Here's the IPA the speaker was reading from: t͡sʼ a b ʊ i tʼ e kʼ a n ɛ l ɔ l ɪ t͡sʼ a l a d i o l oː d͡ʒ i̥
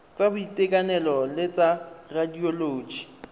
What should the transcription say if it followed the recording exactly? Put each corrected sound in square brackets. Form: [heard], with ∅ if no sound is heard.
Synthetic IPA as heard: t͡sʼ a b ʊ i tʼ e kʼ a n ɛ l ɔ l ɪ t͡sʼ a [r] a d i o l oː d͡ʒ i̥